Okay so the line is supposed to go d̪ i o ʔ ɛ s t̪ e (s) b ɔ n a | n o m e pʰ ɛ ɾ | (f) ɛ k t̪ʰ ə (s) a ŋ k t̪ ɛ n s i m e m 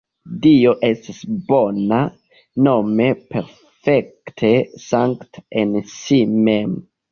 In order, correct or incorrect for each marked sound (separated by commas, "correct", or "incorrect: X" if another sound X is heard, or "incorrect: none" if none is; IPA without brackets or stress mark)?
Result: correct, correct, correct